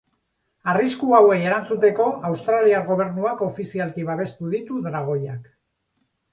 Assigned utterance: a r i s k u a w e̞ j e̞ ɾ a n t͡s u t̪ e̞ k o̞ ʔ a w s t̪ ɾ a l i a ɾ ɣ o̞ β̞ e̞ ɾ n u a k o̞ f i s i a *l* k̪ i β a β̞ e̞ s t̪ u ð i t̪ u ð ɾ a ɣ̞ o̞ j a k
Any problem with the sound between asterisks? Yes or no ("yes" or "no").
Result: no